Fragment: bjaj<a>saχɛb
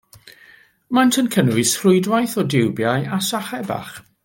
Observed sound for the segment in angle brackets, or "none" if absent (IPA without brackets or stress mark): a